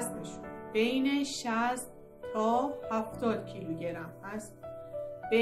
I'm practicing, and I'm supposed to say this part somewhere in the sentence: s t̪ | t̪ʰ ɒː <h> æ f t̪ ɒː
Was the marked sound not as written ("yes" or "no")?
no